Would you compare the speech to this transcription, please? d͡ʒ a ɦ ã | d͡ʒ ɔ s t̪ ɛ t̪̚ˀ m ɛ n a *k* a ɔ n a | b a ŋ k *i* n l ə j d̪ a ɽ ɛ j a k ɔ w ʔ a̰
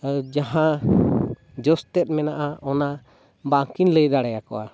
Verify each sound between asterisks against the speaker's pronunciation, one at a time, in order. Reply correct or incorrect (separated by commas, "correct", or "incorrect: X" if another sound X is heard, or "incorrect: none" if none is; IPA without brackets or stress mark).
incorrect: ʔ, correct